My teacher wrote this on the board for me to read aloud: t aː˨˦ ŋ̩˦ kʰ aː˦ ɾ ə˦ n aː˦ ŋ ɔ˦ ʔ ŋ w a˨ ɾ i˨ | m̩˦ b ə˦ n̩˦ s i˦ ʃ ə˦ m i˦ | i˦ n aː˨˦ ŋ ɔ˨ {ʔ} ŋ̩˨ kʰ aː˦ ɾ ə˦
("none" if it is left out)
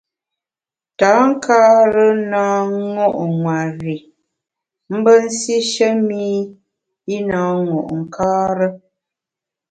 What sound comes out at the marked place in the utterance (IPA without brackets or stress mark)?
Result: ʔ